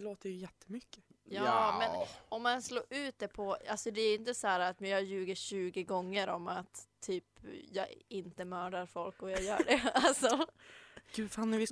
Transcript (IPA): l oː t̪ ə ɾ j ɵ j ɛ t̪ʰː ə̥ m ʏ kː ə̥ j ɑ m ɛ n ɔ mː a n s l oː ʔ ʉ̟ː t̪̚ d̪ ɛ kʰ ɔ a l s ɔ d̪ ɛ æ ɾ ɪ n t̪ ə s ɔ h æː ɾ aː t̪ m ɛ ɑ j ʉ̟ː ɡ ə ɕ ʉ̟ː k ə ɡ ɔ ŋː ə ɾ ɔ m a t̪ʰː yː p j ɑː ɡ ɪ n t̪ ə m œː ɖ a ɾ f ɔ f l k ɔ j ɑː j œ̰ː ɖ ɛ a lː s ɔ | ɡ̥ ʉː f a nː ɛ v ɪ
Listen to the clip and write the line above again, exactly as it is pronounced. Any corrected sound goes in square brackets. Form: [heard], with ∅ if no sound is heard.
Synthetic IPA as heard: l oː t̪ ə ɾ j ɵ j ɛ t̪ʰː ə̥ m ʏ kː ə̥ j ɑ m ɛ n ɔ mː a n s l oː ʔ ʉ̟ː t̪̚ d̪ ɛ [pʰ] ɔ a l s ɔ d̪ ɛ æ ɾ ɪ n t̪ ə s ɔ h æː ɾ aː t̪ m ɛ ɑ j ʉ̟ː ɡ ə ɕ ʉ̟ː [ɡ] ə ɡ ɔ ŋː ə ɾ ɔ m a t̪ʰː yː p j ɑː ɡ ɪ n t̪ ə m œː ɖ a ɾ f ɔ [∅] l k ɔ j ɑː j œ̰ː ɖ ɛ a [l] s ɔ | ɡ̥ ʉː f a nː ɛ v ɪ